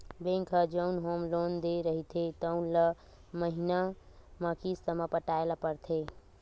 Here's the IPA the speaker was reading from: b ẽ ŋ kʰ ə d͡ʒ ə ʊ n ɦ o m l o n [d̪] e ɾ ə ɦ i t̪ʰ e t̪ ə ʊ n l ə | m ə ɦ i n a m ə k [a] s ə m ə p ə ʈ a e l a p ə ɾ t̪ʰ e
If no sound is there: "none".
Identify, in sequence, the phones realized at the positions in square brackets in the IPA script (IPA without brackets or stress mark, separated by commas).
d̪, i